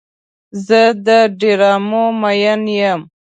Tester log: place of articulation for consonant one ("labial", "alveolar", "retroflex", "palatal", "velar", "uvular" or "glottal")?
alveolar